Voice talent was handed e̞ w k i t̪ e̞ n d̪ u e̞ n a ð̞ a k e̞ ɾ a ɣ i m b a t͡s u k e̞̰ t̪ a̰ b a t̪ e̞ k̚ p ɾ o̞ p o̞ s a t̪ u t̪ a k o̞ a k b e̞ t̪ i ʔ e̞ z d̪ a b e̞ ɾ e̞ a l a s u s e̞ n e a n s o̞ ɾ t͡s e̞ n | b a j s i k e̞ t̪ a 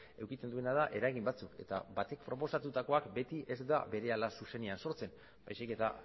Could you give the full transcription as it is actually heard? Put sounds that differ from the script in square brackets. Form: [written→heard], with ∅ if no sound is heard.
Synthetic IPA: e̞ w k i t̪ e̞ n d̪ u e̞ n a ð̞ a [k→ʔ] e̞ ɾ a ɣ i m b a t͡s u k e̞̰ t̪ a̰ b a t̪ e̞ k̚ p ɾ o̞ p o̞ s a t̪ u t̪ a k o̞ a k b e̞ t̪ i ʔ e̞ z d̪ a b e̞ ɾ e̞ a l a s u s e̞ n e a n s o̞ ɾ t͡s e̞ n | b a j s i k e̞ t̪ a